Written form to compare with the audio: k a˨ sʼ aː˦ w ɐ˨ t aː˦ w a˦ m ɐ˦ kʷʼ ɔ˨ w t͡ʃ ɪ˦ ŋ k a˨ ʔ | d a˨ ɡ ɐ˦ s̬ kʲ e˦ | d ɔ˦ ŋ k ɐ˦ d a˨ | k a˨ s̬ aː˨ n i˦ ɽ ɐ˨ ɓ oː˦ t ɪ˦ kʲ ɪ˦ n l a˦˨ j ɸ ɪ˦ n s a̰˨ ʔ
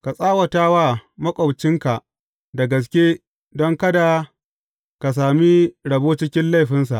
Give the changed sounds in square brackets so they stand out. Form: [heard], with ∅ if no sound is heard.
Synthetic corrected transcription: k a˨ sʼ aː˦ w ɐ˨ t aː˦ w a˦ m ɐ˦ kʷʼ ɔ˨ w t͡ʃ ɪ˦ ŋ k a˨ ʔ | d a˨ ɡ [ɐ˨] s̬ kʲ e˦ | d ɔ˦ ŋ k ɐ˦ d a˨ | k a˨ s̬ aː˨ [m] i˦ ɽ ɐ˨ [b] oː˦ [t͡ʃ] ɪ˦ kʲ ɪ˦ n l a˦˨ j ɸ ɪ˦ n s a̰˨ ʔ

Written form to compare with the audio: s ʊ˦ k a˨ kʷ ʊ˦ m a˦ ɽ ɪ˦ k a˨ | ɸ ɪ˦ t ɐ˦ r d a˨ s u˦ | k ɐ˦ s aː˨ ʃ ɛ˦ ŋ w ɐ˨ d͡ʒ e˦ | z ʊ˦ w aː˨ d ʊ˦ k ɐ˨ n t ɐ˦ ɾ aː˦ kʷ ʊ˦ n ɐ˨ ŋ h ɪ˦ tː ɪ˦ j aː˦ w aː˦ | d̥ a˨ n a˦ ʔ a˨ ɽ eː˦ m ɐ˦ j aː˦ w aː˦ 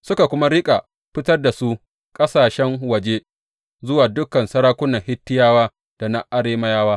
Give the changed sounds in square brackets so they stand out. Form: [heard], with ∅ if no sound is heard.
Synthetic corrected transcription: s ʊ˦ k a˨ kʷ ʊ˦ m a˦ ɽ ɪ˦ [kʼ] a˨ | ɸ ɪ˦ t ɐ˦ r d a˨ s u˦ | [kʼ] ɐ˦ s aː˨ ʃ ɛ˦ ŋ w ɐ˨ d͡ʒ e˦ | z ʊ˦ w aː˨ d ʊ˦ k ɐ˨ n [s] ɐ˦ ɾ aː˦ kʷ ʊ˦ n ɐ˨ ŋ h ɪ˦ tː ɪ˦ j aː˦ w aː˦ | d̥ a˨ n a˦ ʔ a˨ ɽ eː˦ m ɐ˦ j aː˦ w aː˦

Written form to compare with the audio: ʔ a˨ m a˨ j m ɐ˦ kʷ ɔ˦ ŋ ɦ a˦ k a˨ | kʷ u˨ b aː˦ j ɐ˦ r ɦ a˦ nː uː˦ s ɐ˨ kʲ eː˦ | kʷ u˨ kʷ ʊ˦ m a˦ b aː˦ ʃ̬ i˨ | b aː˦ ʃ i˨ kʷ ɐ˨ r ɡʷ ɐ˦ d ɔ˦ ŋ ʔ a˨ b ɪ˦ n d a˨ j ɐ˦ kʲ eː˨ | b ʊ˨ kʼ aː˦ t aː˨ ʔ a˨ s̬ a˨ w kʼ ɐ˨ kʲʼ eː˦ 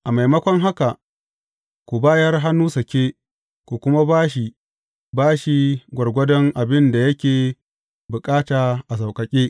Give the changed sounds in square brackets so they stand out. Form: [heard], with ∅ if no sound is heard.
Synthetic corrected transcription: ʔ a˨ m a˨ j m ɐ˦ kʷ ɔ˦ ŋ ɦ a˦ k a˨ | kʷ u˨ b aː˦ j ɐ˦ r ɦ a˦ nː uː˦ s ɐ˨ kʲ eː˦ | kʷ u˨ kʷ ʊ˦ m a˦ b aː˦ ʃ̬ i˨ | b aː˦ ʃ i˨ [ɡʷ] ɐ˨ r ɡʷ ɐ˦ d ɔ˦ ŋ ʔ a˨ b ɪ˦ n d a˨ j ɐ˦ kʲ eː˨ | b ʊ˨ kʼ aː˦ t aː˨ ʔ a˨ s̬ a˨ w kʼ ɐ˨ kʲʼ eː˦

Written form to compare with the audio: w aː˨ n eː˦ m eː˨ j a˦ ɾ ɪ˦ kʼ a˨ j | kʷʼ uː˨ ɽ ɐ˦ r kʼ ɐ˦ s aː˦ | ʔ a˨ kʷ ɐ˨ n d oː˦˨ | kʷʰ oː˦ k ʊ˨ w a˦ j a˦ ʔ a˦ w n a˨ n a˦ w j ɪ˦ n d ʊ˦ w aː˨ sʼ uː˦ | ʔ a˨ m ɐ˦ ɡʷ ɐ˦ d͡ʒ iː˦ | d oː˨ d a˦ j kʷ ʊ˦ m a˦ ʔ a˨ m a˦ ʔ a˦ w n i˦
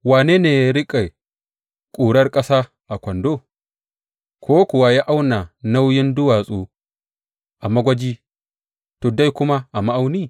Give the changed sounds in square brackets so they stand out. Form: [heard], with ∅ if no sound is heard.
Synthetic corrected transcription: w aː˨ n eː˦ [n] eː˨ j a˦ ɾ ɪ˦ kʼ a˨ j | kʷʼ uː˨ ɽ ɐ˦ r kʼ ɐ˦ s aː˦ | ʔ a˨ kʷ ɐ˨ n d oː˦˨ | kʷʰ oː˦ k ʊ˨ w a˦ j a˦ ʔ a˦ w n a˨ n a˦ w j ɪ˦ n d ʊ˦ w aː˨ sʼ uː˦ | ʔ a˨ m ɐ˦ ɡʷ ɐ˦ d͡ʒ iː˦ | [t] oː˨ d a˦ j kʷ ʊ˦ m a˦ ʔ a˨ m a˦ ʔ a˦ w n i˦

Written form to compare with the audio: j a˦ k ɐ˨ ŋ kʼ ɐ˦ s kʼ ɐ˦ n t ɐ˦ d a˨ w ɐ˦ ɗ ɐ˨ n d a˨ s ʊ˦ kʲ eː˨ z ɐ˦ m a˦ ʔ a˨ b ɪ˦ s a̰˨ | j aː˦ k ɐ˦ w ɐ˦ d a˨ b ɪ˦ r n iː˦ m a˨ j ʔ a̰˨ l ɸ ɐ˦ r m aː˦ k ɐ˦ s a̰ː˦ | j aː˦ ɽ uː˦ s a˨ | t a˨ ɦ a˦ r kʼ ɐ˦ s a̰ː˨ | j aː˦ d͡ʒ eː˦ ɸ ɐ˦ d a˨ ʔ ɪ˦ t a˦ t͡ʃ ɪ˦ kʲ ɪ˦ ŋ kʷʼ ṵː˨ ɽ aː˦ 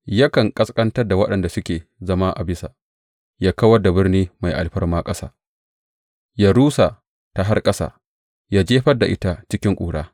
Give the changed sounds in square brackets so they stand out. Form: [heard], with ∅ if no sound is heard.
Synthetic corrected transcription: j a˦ k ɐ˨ ŋ kʼ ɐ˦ s kʼ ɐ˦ n t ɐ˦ d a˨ w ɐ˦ ɗ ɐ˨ n d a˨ s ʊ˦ kʲ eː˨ z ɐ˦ m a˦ ʔ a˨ b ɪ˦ s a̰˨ | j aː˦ k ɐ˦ w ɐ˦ d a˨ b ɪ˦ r n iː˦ m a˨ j ʔ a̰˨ l ɸ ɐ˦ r m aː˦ [kʼ] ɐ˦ s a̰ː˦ | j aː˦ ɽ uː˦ s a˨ | t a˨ ɦ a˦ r kʼ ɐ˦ s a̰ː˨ | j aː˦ d͡ʒ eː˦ ɸ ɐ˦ d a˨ ʔ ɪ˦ t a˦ t͡ʃ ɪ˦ kʲ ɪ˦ ŋ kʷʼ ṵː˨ ɽ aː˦

